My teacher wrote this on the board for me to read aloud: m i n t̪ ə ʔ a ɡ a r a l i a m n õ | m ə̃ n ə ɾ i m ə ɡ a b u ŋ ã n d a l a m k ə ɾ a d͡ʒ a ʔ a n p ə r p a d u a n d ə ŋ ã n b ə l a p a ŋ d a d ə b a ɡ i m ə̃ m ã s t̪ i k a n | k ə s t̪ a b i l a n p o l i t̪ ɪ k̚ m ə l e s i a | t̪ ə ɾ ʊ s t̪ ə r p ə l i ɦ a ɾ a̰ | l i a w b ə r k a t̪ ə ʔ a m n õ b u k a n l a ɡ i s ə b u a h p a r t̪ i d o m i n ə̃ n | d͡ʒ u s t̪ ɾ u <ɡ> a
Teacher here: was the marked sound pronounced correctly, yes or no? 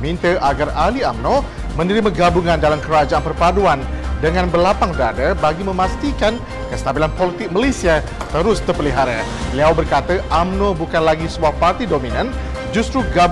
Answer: yes